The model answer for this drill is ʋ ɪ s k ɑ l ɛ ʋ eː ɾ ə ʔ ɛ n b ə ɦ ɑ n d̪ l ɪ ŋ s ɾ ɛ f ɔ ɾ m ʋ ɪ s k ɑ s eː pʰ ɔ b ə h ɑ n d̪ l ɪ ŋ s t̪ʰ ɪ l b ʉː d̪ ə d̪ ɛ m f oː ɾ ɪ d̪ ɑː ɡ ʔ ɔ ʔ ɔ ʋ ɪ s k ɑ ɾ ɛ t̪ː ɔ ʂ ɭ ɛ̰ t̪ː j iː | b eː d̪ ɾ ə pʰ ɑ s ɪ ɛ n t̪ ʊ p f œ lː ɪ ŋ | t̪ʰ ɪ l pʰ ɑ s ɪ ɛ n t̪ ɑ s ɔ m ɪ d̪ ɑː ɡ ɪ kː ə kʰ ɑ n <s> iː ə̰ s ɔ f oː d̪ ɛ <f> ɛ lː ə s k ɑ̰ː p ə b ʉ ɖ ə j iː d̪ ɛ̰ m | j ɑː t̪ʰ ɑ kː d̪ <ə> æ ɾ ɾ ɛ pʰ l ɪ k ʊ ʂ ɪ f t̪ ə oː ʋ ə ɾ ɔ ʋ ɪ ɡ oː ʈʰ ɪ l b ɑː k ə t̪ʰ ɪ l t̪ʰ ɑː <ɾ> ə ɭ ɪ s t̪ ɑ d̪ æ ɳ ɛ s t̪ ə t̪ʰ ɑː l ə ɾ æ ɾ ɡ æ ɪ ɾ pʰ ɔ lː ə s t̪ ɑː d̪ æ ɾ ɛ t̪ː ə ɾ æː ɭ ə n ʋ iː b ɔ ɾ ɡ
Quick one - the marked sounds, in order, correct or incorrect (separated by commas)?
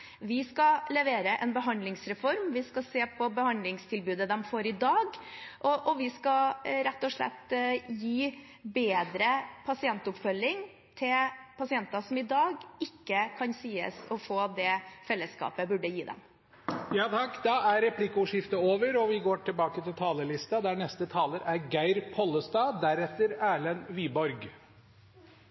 correct, correct, incorrect, incorrect